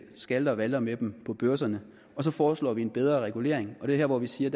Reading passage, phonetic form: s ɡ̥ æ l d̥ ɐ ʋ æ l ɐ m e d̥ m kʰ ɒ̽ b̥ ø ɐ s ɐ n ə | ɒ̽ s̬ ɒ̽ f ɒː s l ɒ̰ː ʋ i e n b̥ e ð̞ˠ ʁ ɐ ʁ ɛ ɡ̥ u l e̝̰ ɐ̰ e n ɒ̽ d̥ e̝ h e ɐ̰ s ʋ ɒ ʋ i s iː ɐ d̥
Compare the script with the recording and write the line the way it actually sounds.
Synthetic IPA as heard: s ɡ̥ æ l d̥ ɐ ʋ æ l ɐ m e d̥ m pʰ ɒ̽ b̥ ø ɐ s ɐ n ə | ɒ̽ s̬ ɒ̽ f ɒː s l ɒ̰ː ʋ i e n b̥ e ð̞ˠ ʁ ɐ ʁ ɛ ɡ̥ u l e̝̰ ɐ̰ e ŋ ɒ̽ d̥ e̝ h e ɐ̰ ʋ ɒ ʋ i s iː ɐ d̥